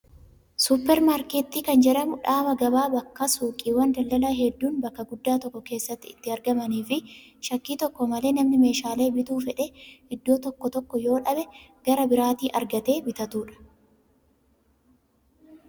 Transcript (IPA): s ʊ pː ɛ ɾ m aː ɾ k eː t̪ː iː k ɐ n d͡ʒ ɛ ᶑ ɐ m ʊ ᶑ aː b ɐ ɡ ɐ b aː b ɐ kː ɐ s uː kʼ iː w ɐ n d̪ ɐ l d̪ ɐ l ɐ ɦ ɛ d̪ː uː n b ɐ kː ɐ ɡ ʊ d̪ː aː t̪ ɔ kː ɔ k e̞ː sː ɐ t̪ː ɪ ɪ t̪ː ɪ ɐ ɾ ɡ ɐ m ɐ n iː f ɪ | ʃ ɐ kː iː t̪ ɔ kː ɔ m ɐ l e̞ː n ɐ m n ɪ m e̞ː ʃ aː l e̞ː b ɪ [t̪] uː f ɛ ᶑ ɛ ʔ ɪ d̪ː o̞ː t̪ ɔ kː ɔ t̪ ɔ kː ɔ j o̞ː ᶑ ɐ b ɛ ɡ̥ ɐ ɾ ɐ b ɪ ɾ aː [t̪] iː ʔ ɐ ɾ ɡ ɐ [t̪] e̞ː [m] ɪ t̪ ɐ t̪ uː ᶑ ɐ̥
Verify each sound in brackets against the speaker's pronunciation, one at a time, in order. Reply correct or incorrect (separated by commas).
correct, correct, correct, incorrect